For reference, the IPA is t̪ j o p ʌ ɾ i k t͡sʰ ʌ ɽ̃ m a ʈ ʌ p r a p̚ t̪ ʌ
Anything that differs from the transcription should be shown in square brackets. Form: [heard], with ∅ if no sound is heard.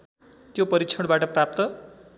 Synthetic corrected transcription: t̪ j o p ʌ ɾ i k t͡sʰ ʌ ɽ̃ [b] a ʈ ʌ p r a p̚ t̪ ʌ